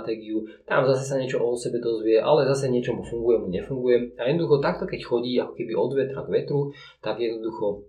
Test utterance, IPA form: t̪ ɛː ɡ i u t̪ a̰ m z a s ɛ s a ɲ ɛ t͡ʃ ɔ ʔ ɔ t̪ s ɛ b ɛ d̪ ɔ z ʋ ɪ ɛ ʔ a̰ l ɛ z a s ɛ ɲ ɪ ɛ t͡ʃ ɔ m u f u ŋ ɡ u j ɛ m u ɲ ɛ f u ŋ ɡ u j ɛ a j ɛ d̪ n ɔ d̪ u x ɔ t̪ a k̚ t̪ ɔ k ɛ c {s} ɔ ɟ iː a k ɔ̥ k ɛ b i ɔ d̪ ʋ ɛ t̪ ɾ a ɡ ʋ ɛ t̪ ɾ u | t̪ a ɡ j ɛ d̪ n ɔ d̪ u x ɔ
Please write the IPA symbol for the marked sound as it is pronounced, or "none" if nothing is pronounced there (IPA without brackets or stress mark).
x